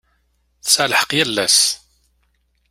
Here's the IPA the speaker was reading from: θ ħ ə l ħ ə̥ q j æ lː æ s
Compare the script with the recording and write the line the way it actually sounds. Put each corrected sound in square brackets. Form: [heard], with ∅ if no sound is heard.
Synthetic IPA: θ [s] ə l ħ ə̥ q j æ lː æ s